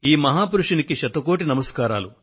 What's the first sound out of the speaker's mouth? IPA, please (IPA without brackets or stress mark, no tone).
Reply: iː